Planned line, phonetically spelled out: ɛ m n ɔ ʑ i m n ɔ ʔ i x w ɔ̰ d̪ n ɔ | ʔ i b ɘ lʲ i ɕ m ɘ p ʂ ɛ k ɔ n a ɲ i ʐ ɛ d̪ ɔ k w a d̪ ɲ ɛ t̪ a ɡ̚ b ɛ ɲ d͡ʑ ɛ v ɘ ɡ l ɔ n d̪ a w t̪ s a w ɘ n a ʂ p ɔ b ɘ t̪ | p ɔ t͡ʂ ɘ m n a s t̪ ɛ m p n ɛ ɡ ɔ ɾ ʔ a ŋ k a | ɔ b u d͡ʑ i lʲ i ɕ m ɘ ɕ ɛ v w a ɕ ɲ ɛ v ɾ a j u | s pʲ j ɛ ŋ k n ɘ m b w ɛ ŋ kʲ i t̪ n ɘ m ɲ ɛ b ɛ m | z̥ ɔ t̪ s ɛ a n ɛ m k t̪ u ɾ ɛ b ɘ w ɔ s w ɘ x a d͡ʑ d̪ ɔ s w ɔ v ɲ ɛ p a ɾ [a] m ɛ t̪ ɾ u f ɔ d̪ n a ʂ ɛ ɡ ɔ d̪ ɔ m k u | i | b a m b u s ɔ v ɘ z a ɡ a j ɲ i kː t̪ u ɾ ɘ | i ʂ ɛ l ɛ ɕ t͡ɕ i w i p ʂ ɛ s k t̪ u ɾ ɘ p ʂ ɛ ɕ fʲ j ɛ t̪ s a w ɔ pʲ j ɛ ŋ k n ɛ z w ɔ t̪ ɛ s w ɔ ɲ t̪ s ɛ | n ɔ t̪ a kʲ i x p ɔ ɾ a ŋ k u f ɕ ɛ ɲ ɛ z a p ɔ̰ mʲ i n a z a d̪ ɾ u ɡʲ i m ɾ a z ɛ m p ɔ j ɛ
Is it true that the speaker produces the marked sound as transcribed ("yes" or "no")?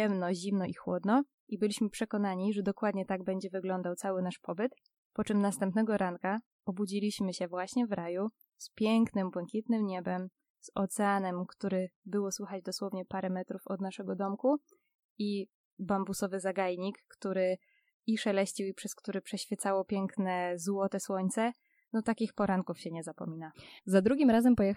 no